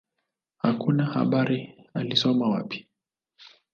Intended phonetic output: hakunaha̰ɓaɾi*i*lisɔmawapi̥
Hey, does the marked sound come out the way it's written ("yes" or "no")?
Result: no